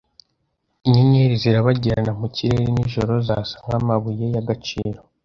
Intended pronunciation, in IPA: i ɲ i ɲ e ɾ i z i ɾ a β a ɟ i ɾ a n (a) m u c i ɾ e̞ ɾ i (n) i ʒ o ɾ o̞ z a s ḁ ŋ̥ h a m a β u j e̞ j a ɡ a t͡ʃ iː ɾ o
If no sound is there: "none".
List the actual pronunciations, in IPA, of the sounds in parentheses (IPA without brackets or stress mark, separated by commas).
a, n